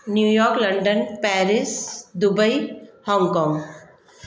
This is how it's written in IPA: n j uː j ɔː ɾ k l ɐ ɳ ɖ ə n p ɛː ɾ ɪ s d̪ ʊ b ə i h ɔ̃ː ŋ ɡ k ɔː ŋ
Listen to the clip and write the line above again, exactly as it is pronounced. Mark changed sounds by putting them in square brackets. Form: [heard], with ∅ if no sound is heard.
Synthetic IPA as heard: n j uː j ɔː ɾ k l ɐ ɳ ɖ ə n p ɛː ɾ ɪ s d̪ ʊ b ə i h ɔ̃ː ŋ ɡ k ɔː ŋ